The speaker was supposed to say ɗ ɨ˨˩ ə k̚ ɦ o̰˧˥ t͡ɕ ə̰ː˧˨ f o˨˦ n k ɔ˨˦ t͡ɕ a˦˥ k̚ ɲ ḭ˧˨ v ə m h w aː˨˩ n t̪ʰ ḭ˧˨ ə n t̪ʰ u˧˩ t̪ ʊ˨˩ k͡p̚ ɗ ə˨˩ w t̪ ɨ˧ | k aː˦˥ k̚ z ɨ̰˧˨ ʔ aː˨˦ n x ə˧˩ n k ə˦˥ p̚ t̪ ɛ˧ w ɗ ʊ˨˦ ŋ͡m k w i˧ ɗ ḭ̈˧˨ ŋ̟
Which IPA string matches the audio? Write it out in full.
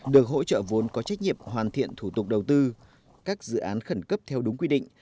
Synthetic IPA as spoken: ɗ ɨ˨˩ ə k̚ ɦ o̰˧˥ t͡ɕ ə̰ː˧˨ v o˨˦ n k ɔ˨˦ t͡ɕ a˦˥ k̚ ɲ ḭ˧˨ ə m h w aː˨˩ n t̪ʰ ḭ˧˨ ə n t̪ʰ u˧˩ t̪ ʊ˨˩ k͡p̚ ɗ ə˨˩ w t̪ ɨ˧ | k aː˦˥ k̚ z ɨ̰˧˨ ʔ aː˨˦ n x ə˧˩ n k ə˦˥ p̚ t̪ʰ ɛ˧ w ɗ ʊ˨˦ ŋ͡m k w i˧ ɗ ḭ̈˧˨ ŋ̟